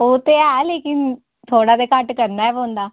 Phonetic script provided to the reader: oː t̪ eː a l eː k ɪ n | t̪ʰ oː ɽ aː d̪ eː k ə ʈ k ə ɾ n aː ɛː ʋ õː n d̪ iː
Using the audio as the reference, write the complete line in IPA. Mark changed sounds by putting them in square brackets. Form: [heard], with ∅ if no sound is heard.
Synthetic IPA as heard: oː t̪ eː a l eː k ɪ n | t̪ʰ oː ɽ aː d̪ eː k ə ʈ k ə ɾ n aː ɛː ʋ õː n d̪ [aː]